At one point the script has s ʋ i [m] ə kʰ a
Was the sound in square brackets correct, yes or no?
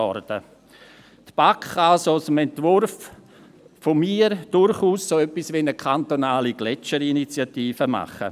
no